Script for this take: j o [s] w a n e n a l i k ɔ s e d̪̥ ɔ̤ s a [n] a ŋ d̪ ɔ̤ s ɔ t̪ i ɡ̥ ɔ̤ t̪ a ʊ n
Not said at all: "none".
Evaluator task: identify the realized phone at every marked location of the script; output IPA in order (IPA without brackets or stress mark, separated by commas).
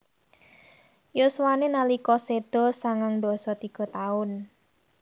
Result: s, ŋ